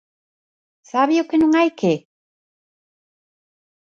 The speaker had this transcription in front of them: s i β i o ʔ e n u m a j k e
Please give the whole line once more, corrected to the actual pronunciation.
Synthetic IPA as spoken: s a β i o k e n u ŋ a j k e